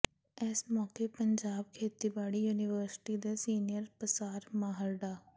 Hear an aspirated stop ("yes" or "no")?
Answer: yes